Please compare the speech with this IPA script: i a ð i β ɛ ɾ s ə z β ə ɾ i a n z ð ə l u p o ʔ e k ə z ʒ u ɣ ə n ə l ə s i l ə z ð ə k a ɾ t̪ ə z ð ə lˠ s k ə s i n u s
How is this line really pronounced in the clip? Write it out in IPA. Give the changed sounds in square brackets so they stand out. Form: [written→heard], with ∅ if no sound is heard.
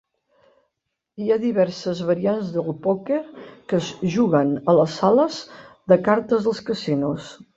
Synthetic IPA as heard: i a ð i β ɛ ɾ s ə z β ə ɾ i a n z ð ə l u p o [ʔ→k] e k ə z ʒ u ɣ ə n ə l ə s [i→a] l ə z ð ə k a ɾ t̪ ə z ð ə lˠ s k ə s i n u s